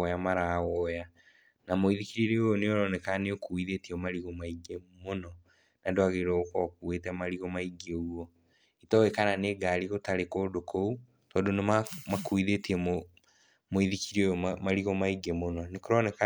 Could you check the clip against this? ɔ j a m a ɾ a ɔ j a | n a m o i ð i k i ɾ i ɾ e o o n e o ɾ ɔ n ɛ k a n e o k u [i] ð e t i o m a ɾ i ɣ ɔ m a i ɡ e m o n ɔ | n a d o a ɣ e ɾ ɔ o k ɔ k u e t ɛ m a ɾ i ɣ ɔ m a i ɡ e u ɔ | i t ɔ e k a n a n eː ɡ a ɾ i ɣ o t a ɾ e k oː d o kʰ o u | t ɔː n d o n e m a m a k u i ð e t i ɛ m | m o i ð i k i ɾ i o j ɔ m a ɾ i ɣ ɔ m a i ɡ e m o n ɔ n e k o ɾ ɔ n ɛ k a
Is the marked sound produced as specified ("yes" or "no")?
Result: yes